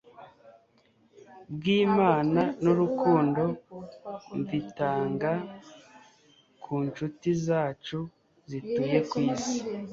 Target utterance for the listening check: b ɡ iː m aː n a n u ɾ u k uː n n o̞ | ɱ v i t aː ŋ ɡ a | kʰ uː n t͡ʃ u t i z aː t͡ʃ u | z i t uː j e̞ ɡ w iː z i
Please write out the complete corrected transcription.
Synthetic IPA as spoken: b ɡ iː m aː n a n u ɾ u k uː n d o̞ | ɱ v i t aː ŋ ɡ a | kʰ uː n t͡ʃ u t i z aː t͡ʃ u | z i t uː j e̞ k w iː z i